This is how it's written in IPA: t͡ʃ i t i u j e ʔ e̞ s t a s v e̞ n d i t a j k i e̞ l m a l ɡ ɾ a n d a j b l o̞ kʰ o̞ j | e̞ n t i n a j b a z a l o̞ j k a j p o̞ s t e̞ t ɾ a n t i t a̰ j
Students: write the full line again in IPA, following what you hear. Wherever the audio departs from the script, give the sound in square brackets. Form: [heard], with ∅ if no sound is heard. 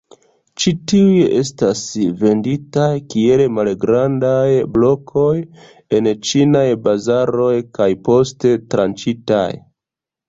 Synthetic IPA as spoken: t͡ʃ i t i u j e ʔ e̞ s t a s v e̞ n d i t a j k i e̞ l m a l ɡ ɾ a n d a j b l o̞ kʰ o̞ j | e̞ n [t͡ʃ] i n a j b a z a [ɾ] o̞ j k a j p o̞ s t e̞ t ɾ a n [t͡ʃ] i t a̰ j